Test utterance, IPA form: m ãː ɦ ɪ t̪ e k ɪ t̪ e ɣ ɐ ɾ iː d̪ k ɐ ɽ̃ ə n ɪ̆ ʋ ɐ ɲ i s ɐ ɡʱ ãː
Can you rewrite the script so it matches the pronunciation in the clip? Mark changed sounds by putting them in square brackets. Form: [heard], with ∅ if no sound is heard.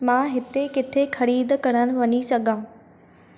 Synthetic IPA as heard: m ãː ɦ ɪ t̪ e k ɪ [t̪ʰ] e [x] ɐ ɾ iː d̪ k ɐ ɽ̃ ə n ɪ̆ ʋ ɐ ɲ i s ɐ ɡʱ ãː